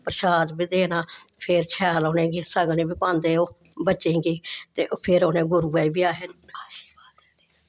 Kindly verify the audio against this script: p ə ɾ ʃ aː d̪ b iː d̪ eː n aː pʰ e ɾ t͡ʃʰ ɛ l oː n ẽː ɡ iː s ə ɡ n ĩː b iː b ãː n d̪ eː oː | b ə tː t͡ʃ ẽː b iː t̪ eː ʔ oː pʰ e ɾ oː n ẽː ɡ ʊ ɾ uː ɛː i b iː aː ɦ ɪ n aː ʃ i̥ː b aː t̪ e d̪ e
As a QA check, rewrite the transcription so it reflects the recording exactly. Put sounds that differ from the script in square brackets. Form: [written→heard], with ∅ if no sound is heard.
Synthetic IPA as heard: p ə ɾ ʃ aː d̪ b iː d̪ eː n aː pʰ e ɾ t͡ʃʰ [ɛ→ɛː] l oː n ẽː ɡ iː s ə ɡ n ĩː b iː [b→p] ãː n d̪ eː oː | b ə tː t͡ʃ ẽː [b→ɡ] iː t̪ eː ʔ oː pʰ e ɾ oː n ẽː ɡ ʊ ɾ uː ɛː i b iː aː ɦ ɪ n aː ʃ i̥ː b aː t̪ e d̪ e